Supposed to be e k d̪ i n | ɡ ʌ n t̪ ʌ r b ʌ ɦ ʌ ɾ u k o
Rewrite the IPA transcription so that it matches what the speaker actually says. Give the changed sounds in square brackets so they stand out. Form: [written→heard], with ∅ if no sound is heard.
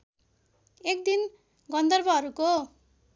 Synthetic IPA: e k d̪ i n | ɡ ʌ n [t̪→d̪] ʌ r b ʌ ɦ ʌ ɾ u k o